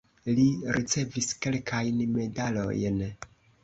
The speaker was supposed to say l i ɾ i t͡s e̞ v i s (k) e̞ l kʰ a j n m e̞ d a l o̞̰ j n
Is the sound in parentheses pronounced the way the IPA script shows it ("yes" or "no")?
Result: yes